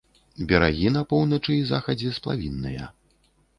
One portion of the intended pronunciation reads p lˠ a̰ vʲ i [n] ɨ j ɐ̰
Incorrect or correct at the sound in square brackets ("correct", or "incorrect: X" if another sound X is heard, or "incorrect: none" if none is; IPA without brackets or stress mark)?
incorrect: nː